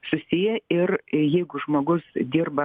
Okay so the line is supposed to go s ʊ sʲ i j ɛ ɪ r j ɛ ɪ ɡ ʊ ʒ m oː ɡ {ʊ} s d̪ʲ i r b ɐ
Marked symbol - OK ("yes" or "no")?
yes